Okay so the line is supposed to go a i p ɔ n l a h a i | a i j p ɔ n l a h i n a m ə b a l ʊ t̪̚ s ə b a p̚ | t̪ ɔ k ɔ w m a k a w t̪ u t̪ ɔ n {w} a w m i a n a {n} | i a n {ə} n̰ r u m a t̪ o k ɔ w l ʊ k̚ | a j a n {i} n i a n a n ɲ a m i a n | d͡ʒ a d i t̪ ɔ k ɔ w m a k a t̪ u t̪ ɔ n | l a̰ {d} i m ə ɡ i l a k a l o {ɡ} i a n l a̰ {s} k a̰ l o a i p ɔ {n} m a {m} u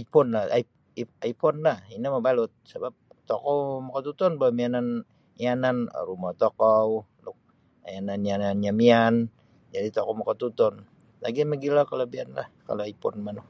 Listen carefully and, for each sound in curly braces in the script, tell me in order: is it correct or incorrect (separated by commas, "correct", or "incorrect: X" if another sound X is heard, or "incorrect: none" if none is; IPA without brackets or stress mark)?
incorrect: b, correct, incorrect: a, incorrect: a, incorrect: ɡ, incorrect: b, incorrect: h, correct, incorrect: n